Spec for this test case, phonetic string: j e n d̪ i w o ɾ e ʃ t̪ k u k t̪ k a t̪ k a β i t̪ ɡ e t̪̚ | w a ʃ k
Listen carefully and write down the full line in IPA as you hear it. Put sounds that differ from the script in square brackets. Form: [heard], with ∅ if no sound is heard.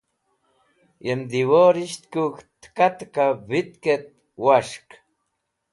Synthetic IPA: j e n d̪ i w o ɾ [i] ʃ t̪ k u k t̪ k a t̪ k a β i t̪ [k] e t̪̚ | w a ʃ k